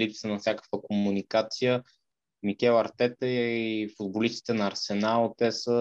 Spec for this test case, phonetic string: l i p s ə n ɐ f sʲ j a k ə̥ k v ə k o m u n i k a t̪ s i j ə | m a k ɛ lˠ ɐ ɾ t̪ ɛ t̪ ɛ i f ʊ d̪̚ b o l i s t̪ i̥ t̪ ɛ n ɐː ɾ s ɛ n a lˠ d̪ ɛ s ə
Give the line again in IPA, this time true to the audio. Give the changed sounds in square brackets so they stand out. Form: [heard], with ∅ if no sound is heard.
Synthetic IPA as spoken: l i p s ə n ɐ f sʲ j a k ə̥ k v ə k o m u n i k a t̪ s i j ə | m [i] k ɛ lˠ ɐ ɾ t̪ ɛ t̪ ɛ i f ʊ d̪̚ b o l i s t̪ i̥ t̪ ɛ n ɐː ɾ s ɛ n a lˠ [t̪] ɛ s ə